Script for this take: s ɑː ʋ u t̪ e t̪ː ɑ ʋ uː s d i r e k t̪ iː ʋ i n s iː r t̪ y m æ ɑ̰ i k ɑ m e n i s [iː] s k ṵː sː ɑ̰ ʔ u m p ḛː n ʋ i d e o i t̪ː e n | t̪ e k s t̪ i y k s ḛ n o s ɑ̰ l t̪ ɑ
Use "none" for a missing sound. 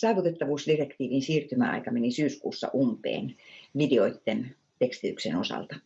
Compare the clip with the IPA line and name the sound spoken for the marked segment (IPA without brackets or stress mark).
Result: yː